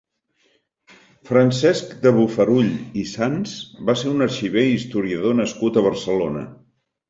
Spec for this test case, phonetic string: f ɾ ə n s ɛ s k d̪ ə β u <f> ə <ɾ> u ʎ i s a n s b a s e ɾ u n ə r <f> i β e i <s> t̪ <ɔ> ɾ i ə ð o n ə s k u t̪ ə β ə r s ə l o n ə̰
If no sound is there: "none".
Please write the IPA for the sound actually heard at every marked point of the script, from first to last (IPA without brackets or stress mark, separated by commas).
f, ɾ, ʃ, s, u